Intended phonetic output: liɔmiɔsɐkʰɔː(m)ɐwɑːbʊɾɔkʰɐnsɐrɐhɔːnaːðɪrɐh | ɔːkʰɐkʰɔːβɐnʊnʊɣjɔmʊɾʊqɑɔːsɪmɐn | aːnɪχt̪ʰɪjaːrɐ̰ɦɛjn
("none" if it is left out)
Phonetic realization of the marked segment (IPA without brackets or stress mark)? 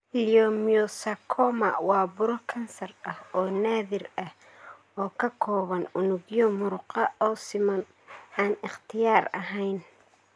m